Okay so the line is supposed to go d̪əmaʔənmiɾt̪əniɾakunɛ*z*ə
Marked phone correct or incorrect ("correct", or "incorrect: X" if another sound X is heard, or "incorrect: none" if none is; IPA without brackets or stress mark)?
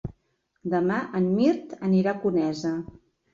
correct